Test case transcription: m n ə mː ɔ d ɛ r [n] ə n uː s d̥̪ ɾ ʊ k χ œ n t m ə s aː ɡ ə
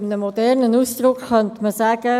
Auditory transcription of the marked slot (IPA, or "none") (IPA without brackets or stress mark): n